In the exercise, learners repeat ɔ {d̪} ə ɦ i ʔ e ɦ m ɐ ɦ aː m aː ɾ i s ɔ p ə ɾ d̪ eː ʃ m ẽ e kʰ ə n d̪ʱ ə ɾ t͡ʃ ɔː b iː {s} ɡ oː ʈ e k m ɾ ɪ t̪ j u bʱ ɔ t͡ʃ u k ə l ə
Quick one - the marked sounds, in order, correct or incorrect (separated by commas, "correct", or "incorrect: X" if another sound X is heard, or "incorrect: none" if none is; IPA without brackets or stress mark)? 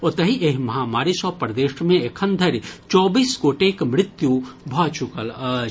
incorrect: t̪, correct